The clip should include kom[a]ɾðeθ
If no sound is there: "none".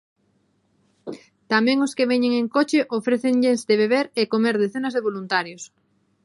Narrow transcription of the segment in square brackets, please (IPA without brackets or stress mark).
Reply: e